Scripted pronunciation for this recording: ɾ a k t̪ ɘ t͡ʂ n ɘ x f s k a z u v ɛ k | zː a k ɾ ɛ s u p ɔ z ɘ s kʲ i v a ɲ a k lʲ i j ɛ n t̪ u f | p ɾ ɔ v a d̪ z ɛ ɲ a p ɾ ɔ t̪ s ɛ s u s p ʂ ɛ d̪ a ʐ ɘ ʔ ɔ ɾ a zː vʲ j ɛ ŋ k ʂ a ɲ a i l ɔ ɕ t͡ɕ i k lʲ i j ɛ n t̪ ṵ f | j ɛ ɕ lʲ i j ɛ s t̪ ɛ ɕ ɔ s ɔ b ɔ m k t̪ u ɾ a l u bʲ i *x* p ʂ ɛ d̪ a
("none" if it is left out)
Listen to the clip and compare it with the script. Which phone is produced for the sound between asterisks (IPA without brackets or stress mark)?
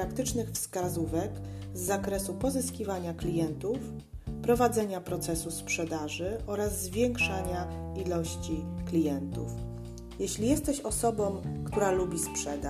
s